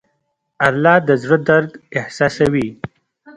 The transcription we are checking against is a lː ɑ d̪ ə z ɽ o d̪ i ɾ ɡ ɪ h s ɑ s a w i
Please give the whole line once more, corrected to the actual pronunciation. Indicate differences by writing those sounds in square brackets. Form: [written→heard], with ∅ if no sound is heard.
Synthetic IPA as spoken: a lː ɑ d̪ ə z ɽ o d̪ [i→a] ɾ ɡ ɪ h s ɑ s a w i